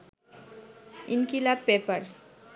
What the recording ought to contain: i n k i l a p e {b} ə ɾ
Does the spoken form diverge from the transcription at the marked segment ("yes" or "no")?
yes